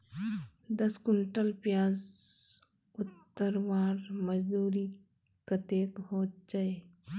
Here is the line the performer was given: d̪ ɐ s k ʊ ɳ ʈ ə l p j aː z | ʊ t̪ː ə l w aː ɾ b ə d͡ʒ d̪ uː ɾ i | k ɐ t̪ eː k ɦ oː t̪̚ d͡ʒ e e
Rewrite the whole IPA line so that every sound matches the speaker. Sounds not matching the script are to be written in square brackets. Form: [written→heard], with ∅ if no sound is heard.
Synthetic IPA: d̪ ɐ s k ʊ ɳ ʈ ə l p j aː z | ʊ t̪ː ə [l→ɾ] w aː ɾ [b→m] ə d͡ʒ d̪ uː ɾ i | k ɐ t̪ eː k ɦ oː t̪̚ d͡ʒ [e→a] e